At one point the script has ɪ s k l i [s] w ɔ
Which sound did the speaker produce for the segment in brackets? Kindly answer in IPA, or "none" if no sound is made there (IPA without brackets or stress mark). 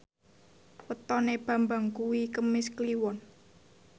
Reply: none